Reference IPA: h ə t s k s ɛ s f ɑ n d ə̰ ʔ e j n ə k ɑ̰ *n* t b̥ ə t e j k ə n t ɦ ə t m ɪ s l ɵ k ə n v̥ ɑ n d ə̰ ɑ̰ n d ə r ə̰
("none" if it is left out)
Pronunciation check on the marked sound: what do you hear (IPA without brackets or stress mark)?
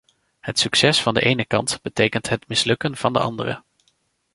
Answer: n